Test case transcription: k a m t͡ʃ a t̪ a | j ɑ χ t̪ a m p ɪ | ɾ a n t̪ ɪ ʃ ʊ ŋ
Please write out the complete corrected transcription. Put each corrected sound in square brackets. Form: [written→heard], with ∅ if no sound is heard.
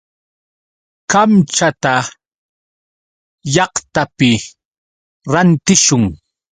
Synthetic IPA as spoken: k a m t͡ʃ a t̪ a | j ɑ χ t̪ a [m→∅] p ɪ | ɾ a n t̪ ɪ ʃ ʊ ŋ